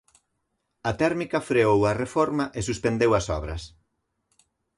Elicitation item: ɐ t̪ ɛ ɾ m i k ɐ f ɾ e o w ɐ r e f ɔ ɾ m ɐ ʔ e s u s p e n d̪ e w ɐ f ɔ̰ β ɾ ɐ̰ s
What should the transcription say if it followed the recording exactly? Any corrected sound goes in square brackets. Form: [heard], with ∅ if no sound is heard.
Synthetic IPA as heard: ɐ t̪ ɛ ɾ m i k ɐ f ɾ e o w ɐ r e f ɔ ɾ m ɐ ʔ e s u s p e n d̪ e w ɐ [s] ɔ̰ β ɾ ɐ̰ s